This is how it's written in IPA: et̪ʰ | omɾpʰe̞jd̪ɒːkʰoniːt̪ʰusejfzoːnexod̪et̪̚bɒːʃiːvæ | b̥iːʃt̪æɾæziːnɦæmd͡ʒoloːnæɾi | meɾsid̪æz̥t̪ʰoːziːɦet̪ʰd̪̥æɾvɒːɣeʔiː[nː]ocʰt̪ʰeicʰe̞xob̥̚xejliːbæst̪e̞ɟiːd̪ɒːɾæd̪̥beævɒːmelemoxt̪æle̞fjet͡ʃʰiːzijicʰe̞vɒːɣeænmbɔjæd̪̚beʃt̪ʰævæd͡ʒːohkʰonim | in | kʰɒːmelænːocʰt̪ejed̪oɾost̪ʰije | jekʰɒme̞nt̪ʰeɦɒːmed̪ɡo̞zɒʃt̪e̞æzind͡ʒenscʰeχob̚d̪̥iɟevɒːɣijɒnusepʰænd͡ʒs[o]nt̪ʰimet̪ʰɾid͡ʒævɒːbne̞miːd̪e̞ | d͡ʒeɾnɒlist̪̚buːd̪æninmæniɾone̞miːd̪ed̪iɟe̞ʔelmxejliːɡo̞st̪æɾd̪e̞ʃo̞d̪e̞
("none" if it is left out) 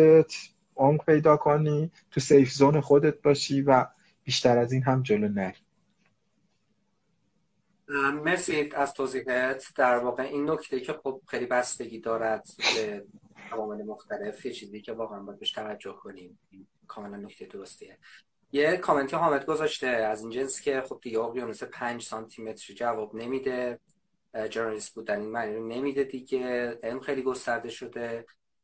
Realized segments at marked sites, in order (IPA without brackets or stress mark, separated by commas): nː, ɒ